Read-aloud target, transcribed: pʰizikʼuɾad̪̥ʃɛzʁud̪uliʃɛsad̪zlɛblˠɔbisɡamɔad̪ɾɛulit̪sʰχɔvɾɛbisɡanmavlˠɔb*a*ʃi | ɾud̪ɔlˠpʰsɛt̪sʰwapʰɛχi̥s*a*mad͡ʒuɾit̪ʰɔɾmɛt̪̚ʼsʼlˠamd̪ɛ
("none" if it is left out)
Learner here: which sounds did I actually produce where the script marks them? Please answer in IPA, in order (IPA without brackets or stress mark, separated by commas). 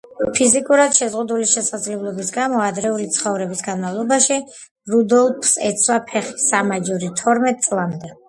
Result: a, a